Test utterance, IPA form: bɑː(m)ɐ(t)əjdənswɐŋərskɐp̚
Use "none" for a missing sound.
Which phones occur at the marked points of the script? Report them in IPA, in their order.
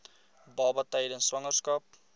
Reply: b, t

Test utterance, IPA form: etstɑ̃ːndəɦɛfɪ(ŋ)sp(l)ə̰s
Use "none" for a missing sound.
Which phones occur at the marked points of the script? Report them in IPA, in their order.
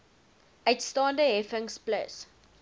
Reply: ŋ, l

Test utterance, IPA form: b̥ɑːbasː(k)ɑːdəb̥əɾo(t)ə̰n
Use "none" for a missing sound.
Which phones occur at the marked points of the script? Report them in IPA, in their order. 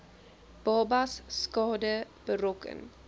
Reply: k, k

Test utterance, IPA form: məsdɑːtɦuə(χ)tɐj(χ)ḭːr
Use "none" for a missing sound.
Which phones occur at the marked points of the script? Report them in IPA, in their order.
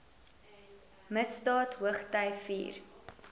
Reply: χ, f

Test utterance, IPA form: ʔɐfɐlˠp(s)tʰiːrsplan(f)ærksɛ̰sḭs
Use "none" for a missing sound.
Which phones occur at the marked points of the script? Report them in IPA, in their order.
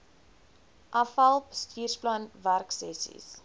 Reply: s, v

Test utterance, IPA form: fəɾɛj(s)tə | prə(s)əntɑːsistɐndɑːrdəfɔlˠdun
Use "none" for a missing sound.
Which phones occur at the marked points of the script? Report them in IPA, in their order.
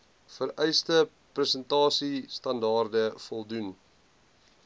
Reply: s, s

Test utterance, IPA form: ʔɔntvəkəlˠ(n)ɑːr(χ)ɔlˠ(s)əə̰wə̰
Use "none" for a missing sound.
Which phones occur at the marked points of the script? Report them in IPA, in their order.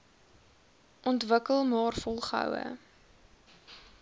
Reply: m, f, χ

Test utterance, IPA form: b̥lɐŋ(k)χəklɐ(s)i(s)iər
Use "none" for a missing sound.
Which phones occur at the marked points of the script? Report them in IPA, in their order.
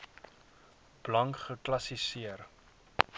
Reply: k, s, s

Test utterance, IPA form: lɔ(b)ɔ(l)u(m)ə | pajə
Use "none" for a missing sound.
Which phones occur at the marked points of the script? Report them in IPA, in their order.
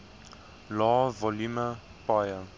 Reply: v, l, m

